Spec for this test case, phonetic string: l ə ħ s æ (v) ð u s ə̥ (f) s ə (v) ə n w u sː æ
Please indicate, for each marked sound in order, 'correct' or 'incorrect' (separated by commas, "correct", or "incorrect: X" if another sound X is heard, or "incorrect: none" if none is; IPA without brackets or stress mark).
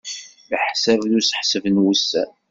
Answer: correct, incorrect: ħ, correct